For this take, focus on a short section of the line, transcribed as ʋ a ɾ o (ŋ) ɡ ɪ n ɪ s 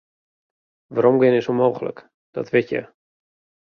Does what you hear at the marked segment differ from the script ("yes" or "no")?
yes